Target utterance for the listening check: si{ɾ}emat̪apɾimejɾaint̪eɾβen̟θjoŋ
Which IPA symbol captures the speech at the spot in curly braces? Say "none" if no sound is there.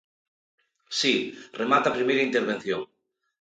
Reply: r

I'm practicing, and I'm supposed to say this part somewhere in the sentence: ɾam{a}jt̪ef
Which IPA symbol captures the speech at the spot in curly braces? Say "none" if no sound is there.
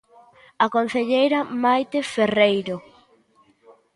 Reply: a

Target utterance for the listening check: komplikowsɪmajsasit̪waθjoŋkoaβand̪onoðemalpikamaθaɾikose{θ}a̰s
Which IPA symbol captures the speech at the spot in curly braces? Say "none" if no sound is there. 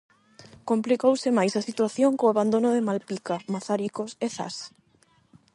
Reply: θ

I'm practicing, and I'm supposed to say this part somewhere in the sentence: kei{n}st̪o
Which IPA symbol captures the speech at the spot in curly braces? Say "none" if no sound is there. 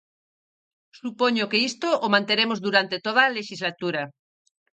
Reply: none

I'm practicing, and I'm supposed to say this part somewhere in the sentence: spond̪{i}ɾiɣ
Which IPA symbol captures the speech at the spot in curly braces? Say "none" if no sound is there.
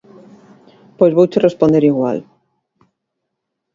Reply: e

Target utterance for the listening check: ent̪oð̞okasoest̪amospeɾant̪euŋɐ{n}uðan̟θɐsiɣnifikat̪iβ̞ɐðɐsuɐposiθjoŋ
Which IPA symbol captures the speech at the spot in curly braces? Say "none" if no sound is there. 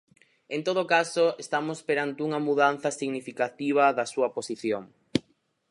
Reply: m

